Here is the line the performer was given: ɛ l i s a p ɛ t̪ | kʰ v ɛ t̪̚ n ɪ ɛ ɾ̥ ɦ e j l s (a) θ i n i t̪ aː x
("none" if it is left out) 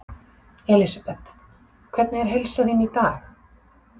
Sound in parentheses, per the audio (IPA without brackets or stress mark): a